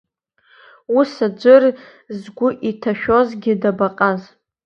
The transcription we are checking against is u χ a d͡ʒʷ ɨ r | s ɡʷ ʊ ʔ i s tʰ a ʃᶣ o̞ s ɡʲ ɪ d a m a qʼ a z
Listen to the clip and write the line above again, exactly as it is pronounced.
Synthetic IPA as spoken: u s a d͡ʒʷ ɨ r | z ɡʷ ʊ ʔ i tʰ a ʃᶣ o̞ z ɡʲ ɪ d a b a qʼ a z